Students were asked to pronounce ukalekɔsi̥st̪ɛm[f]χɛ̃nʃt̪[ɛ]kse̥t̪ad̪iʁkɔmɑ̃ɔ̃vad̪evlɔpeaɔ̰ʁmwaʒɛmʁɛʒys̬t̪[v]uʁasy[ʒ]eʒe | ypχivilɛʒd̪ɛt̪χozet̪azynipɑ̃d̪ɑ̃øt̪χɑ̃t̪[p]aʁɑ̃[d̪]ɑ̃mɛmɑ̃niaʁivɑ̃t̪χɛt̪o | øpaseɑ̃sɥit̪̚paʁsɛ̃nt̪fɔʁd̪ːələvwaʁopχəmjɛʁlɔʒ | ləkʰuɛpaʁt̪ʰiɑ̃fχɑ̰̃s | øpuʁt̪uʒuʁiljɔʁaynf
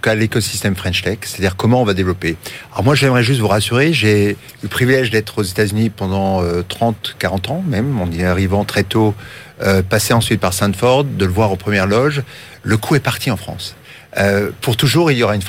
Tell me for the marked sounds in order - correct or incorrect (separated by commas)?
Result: correct, correct, correct, incorrect, incorrect, incorrect